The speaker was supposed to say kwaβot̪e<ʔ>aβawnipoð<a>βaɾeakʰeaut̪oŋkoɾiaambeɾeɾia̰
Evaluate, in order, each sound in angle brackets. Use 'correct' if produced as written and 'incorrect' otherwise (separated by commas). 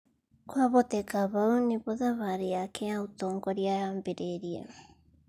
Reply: incorrect, correct